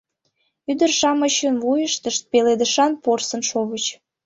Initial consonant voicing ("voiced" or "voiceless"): voiced